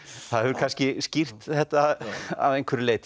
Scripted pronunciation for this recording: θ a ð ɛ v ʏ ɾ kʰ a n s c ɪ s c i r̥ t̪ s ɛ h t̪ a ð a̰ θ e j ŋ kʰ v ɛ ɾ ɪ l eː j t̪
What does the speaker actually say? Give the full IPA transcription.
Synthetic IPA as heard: θ a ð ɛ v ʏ ɾ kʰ a n s c ɪ s c i r̥ t̪ θ ɛ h t̪ a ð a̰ ð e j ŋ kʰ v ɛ ɾ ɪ l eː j t̪